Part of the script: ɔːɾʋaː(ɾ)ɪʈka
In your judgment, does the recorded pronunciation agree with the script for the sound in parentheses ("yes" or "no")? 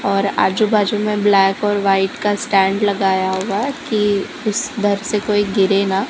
no